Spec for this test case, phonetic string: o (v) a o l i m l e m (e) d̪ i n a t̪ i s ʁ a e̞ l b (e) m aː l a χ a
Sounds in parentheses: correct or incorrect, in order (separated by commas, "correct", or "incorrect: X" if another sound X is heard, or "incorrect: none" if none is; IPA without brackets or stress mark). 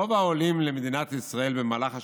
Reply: correct, correct, correct